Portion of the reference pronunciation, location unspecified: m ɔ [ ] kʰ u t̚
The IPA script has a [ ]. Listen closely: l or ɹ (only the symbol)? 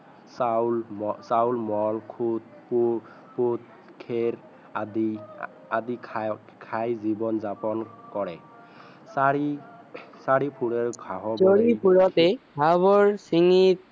l